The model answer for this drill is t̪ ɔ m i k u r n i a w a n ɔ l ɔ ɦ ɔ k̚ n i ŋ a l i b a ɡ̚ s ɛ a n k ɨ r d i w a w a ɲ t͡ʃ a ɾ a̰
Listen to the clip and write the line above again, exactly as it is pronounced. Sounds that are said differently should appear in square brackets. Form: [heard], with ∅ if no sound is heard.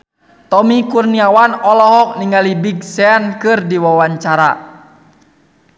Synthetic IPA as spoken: t̪ ɔ m i k u r n i a w a n ɔ l ɔ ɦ ɔ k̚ n i ŋ a l i b [i] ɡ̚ s ɛ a n k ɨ r d i w a w a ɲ t͡ʃ a ɾ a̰

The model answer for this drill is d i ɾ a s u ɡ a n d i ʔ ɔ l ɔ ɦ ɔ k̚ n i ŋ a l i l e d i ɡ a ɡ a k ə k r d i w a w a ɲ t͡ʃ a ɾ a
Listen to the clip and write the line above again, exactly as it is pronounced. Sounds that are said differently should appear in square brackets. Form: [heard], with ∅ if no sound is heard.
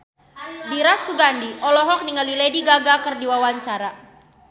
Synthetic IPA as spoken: d i ɾ a s u ɡ a n d i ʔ ɔ l ɔ ɦ ɔ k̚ n i ŋ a l i l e d i ɡ a ɡ a k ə [∅] r d i w a w a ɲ t͡ʃ a ɾ a

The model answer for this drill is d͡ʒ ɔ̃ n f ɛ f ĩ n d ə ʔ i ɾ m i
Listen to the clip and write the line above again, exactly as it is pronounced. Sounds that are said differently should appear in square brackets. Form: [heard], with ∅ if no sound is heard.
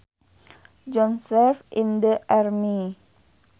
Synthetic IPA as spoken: d͡ʒ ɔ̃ n [s] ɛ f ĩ n d ə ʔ [a] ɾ m i

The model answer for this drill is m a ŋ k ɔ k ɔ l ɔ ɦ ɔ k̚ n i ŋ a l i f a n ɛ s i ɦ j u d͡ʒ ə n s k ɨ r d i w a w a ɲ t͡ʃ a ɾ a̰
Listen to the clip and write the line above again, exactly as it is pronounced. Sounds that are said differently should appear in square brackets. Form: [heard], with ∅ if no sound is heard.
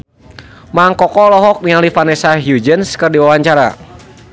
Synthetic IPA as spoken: m a ŋ k ɔ k ɔ l ɔ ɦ ɔ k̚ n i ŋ a l i f a n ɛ s [a] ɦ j u d͡ʒ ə n s k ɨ r d i w a w a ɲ t͡ʃ a ɾ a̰

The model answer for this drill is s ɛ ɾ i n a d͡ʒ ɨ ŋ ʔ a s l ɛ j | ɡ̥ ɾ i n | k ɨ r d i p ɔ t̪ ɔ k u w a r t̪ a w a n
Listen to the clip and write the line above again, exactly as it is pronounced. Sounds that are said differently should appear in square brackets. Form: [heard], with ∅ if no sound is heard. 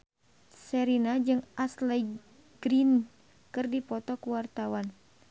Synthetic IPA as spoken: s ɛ ɾ i n a d͡ʒ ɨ ŋ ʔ a s l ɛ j | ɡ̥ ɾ i n | k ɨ r d i p ɔ t̪ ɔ k u w a r t̪ a w a n

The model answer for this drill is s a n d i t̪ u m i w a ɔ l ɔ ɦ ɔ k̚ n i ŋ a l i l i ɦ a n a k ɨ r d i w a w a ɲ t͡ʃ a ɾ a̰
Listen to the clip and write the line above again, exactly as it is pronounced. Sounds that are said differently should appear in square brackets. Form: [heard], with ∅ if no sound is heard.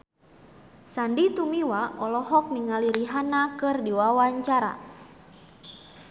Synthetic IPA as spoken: s a n d i t̪ u m i w a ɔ l ɔ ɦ ɔ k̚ n i ŋ a l i [ɾ] i ɦ a n a k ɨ r d i w a w a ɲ t͡ʃ a ɾ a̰

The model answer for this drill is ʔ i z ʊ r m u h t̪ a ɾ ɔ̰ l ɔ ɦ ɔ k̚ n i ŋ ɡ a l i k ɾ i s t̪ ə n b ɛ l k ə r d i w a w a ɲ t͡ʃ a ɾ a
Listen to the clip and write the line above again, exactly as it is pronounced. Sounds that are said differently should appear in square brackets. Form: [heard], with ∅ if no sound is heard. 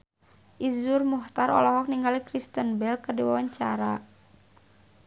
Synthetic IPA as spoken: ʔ i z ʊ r m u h t̪ a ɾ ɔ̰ l ɔ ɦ ɔ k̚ n i ŋ ɡ a l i k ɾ i s t̪ ə n b ɛ l k ə r d i w a w a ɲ t͡ʃ a ɾ a

